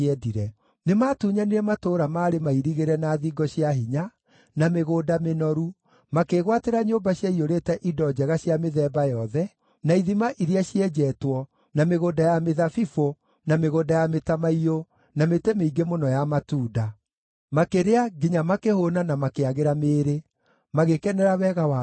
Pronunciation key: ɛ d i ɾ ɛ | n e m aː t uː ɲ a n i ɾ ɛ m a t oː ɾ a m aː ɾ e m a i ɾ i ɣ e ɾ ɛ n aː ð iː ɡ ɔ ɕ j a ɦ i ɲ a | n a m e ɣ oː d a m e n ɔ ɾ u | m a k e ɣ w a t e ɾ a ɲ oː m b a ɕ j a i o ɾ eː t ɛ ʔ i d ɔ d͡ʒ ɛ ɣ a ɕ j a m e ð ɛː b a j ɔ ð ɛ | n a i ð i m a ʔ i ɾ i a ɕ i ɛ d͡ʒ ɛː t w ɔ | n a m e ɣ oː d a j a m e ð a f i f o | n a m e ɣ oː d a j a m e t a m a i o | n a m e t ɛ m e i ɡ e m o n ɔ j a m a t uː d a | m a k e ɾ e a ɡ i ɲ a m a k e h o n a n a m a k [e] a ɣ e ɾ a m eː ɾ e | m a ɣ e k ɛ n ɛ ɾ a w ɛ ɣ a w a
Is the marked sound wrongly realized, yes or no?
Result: no